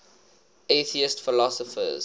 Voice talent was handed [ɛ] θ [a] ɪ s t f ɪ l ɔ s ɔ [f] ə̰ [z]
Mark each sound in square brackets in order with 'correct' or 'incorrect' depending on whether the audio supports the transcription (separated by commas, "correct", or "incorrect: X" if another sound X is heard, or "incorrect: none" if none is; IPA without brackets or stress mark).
incorrect: e, incorrect: i, correct, correct